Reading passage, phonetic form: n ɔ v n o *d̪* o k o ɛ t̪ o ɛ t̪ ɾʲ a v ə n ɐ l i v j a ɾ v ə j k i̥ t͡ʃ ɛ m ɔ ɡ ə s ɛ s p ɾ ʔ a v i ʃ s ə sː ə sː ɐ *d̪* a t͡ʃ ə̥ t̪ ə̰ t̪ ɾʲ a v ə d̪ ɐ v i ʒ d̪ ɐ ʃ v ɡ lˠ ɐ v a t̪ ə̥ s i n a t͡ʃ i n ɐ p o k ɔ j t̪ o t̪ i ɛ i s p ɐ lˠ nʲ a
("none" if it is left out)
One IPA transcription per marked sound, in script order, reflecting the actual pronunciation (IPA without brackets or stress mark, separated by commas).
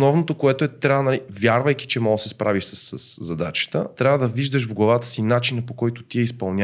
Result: t̪, d̪